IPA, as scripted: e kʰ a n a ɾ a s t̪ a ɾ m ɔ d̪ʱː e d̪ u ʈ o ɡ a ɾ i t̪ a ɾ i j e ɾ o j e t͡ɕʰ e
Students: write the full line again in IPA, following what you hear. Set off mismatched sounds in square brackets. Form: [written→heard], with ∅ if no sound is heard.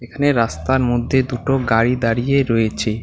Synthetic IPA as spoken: e kʰ a n [a→e] ɾ a s t̪ a ɾ m [ɔ→o] d̪ʱː e d̪ u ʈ o ɡ a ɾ i [t̪→d̪] a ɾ i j e ɾ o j e t͡ɕʰ e